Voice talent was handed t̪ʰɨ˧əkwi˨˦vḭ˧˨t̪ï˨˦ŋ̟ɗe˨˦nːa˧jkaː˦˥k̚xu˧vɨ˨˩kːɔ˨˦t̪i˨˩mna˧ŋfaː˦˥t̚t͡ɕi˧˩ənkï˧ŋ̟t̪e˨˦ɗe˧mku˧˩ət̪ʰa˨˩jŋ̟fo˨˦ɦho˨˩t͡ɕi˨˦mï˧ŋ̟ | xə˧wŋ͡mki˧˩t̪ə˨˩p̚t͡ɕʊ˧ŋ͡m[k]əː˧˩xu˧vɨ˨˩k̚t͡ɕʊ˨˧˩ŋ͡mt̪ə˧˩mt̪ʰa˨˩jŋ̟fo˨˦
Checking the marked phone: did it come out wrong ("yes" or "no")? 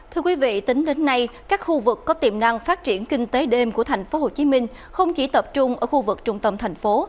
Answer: yes